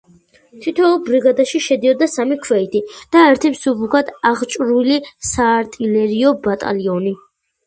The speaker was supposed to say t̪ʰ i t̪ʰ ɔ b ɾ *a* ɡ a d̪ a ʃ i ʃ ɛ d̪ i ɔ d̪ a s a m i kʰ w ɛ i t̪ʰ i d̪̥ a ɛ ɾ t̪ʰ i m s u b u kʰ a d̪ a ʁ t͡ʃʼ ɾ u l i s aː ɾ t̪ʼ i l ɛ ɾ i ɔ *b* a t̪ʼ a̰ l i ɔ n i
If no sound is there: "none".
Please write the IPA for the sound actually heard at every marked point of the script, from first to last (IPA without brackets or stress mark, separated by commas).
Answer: i, b